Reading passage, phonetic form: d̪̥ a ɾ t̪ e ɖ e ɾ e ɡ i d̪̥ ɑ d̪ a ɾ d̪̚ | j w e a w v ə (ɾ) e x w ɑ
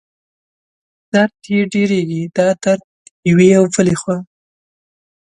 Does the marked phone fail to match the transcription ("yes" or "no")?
yes